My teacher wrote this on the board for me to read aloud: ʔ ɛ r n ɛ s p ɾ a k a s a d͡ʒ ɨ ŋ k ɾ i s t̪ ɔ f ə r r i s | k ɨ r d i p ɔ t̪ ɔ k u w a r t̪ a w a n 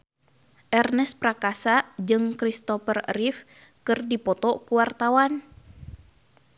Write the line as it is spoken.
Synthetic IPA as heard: ʔ ɛ r n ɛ s p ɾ a k a s a d͡ʒ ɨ ŋ k ɾ i s t̪ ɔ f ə r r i f | k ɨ r d i p ɔ t̪ ɔ k u w a r t̪ a w a n